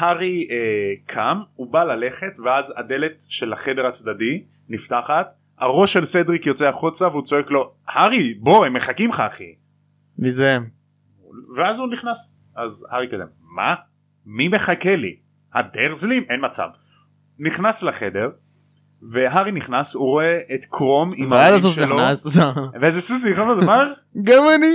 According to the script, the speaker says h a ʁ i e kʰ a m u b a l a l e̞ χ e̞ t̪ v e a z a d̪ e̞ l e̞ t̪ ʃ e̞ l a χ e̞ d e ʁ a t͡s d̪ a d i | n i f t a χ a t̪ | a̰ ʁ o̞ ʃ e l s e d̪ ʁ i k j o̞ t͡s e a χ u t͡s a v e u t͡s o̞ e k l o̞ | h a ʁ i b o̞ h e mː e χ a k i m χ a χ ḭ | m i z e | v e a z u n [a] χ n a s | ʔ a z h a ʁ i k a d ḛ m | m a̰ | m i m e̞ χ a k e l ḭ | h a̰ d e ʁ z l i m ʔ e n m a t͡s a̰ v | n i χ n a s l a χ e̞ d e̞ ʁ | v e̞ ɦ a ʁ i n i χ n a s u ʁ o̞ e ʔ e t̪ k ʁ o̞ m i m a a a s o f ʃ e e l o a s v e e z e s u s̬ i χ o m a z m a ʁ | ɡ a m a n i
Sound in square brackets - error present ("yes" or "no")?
yes